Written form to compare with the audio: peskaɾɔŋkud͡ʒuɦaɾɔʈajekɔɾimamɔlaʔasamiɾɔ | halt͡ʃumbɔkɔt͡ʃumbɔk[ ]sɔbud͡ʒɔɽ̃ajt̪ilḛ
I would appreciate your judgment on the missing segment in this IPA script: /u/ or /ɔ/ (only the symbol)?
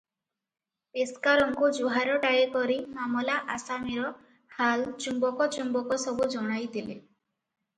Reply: ɔ